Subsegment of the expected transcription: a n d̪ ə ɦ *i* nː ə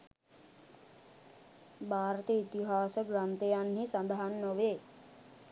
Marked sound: incorrect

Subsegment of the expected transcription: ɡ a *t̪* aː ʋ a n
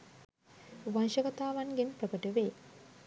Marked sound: correct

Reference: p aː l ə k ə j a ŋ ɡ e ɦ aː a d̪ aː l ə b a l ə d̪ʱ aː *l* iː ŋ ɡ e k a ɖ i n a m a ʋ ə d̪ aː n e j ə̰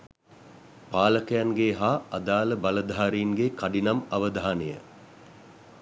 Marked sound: incorrect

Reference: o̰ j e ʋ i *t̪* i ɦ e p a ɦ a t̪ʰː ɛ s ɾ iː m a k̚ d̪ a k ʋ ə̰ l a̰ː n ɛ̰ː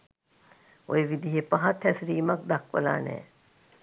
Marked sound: incorrect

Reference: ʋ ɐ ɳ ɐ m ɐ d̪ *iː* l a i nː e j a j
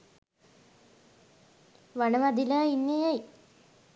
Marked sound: incorrect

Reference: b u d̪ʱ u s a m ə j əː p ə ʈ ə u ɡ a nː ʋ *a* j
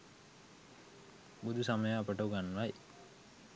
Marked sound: correct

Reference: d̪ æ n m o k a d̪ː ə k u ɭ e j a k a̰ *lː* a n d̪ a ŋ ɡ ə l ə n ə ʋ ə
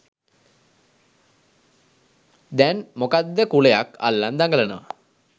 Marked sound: correct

